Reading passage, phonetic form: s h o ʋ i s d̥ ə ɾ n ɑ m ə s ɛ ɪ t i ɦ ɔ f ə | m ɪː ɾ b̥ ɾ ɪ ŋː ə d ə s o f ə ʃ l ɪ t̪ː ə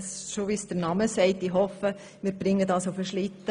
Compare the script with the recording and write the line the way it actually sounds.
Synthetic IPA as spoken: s ʃ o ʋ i s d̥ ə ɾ n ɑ m ə s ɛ ɪ t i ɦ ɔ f ə | m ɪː ɾ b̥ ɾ ɪ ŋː ə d ɑ s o f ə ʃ l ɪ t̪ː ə

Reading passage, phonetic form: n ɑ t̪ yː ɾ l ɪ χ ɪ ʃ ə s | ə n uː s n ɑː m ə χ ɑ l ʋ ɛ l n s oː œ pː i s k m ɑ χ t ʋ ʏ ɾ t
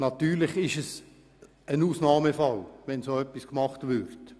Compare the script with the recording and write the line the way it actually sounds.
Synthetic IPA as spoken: n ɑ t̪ yː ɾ l ɪ χ ɪ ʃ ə s | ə n uː s n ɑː m ə f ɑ l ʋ ɛ n s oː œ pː i s k m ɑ χ t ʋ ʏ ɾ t

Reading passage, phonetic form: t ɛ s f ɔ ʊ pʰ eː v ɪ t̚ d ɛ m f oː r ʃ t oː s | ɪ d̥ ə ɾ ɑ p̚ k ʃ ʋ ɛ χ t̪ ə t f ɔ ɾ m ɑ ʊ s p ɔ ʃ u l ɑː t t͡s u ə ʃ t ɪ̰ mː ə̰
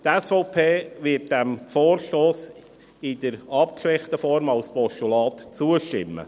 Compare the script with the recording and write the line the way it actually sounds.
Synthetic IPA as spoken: t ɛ s f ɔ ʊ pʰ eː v ɪ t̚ d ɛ m f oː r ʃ t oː s | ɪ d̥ ə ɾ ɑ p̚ k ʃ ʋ ɛ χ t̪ ə f ɔ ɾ m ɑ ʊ s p ɔ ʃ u l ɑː t t͡s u ə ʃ t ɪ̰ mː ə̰

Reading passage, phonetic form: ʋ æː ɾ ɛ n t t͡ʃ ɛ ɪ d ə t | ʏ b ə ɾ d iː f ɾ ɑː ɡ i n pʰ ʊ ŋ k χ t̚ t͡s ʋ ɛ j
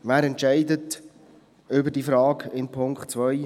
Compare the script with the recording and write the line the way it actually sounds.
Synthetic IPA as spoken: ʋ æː ɾ ɛ n t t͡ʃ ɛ ɪ d ə t | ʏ b ə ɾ d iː f ɾ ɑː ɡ ɪ n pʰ ʊ ŋ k χ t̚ t͡s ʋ œ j

